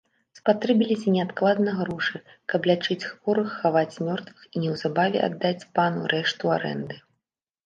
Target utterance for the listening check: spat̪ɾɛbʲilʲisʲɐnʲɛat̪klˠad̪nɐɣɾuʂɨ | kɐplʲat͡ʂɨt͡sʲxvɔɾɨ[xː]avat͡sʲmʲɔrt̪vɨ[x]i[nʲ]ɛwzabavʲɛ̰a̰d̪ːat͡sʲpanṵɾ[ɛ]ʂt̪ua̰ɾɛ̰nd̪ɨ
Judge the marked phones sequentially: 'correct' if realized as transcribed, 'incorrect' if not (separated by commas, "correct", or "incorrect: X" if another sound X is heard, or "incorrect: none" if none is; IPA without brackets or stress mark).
correct, correct, correct, correct